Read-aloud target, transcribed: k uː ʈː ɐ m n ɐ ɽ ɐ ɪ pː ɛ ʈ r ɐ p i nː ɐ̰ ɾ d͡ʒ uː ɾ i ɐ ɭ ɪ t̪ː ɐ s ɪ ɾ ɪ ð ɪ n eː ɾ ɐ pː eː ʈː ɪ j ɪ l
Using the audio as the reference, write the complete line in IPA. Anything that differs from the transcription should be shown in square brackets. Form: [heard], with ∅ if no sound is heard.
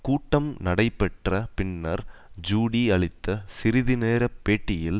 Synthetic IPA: k uː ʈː ɐ m n ɐ ɽ ɐ ɪ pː ɛ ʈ r ɐ p [ɪ] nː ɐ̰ ɾ d͡ʒ uː [ɽ] i ɐ ɭ ɪ t̪ː ɐ s ɪ ɾ ɪ ð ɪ n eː ɾ ɐ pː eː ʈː ɪ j ɪ l